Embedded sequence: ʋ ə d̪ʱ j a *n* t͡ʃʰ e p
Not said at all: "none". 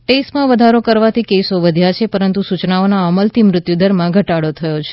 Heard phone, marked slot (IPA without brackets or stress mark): none